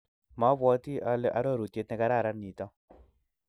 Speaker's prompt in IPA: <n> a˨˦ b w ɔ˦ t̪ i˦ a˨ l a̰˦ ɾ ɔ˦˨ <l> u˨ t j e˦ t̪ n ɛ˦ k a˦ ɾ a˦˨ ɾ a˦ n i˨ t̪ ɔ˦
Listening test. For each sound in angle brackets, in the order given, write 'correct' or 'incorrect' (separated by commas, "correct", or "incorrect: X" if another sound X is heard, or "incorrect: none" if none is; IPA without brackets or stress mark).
incorrect: m, incorrect: ɾ